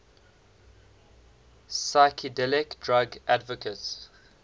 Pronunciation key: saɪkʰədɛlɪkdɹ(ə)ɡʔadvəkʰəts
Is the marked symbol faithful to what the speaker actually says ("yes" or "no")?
no